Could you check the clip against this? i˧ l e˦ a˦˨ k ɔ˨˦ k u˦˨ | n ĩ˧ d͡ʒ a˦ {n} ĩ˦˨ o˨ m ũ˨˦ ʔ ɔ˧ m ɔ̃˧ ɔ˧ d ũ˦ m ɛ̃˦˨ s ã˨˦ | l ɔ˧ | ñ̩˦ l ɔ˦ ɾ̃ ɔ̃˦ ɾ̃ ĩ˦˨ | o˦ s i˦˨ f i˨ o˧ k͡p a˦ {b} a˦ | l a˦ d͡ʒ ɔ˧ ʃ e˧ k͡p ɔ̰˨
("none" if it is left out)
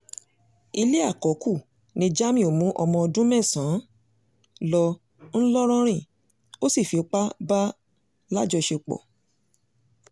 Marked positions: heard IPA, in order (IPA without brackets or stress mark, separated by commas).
m, b